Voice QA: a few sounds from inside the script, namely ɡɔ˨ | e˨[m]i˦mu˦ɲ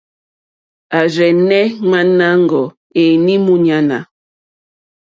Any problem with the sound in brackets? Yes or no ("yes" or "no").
yes